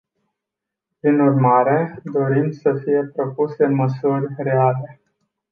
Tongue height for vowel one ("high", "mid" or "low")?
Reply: high